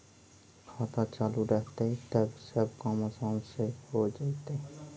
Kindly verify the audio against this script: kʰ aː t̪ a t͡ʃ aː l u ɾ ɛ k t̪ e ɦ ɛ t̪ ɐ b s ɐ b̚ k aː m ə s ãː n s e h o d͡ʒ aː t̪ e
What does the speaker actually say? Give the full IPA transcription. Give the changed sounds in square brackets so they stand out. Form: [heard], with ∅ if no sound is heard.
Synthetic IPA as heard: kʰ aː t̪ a t͡ʃ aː l u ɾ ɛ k t̪ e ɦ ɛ t̪ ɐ b s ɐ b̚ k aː m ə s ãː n s e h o d͡ʒ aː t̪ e